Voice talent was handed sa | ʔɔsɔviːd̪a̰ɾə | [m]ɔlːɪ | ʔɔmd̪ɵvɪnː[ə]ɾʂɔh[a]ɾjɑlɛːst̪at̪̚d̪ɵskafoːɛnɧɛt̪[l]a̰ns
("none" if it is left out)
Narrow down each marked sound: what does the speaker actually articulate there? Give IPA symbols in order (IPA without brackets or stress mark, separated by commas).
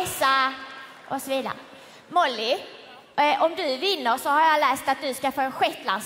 m, ə, a, l